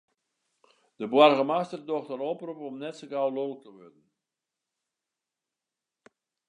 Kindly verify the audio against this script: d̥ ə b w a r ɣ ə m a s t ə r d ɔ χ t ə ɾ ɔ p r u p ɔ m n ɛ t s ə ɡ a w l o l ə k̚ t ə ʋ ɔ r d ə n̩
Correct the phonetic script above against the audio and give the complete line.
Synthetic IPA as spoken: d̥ ə b w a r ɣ ə m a s t ə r d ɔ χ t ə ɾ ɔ p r u p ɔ m n ɛ t s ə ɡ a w l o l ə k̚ t ə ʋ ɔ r d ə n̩